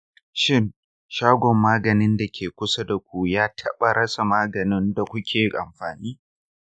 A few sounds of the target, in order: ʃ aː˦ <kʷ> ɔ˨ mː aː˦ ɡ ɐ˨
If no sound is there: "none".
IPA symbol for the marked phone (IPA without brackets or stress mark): ɡʷ